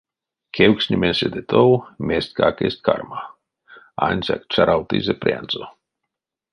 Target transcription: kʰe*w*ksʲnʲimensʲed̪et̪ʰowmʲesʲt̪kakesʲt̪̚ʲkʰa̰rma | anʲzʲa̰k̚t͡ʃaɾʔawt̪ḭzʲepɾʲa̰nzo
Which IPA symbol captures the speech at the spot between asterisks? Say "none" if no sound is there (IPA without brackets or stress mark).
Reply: w